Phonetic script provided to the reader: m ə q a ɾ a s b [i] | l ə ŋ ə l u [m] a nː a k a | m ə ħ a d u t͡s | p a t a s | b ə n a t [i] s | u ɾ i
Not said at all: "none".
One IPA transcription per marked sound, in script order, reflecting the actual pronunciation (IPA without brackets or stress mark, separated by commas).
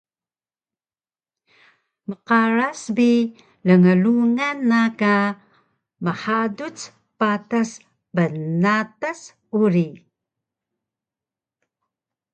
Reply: i, ŋ, a